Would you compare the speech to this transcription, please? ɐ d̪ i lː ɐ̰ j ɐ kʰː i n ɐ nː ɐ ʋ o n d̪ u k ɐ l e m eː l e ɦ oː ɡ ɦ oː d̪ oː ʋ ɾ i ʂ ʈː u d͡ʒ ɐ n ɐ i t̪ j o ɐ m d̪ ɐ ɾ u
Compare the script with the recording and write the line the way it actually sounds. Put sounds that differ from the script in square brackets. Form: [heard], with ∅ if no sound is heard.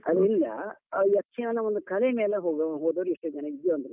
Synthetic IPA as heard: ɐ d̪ i lː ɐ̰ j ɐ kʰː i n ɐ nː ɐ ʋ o n d̪ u k ɐ l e m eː l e ɦ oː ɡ ɦ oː d̪ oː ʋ ɾ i ʂ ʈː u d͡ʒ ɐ n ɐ i [d̪] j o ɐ [n] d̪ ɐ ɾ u